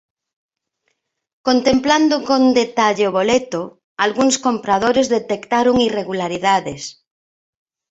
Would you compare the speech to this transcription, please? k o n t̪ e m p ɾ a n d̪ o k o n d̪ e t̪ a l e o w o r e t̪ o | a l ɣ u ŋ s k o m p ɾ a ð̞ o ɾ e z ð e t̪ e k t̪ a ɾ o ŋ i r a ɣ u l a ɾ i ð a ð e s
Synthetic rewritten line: k o n t̪ e m p l a n d̪ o k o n d̪ e t̪ a ʎ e o β o l e t̪ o | a l ɣ u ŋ s k o m p ɾ a ð̞ o ɾ e z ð e t̪ e k t̪ a ɾ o ŋ i r e ɣ u l a ɾ i ð a ð e s

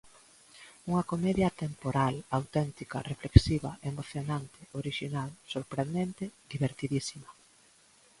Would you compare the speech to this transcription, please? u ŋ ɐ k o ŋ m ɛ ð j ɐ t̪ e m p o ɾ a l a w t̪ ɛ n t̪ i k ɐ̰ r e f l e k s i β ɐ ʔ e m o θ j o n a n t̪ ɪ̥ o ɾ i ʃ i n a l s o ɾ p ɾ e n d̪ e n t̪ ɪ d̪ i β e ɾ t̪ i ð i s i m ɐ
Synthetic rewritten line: u ŋ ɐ k o m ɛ ð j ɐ t̪ e m p o ɾ a l a w t̪ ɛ n t̪ i k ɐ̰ r e f l e k s i β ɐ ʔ e m o θ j o n a n t̪ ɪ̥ o ɾ i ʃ i n a l s o ɾ p ɾ e n d̪ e n t̪ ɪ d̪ i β e ɾ t̪ i ð i s i m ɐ

